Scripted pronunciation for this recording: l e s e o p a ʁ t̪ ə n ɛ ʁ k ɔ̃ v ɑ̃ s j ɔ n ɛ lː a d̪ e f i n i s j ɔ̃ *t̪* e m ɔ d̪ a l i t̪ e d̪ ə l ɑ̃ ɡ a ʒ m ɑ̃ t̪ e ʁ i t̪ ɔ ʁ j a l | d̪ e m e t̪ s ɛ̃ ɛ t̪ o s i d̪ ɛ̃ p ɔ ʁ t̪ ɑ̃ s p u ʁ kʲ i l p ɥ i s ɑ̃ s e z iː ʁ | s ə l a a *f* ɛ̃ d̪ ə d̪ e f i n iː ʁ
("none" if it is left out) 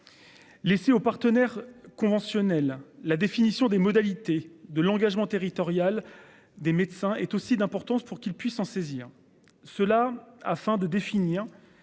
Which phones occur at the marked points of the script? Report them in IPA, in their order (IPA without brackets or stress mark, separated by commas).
d̪, f